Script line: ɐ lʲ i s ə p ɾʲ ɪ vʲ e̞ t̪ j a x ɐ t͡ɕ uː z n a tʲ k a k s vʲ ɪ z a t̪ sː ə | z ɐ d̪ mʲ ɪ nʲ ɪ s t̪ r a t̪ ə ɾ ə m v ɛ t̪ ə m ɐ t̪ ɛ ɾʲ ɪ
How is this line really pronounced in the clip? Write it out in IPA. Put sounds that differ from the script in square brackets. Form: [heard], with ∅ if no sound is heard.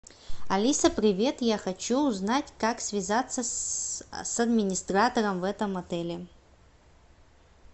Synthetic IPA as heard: ɐ lʲ i s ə p ɾʲ ɪ vʲ e̞ t̪ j a x ɐ t͡ɕ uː z n a tʲ k a k s vʲ ɪ z a t̪ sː ə | [s] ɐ d̪ mʲ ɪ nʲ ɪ s t̪ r a t̪ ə ɾ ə m v ɛ t̪ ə m ɐ t̪ ɛ [lʲ] ɪ